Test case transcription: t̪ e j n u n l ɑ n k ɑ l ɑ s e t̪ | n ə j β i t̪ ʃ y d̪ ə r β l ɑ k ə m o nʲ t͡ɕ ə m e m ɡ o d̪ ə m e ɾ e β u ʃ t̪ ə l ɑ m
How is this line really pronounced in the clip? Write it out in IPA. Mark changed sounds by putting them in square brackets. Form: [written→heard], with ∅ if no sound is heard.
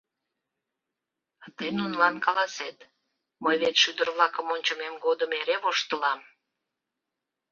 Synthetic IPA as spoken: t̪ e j n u n l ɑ n k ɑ l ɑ s e t̪ | [n→m] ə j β [i→e] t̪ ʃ y d̪ ə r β l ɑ k ə m o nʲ t͡ɕ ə m e m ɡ o d̪ ə m e ɾ e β [u→o] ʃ t̪ ə l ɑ m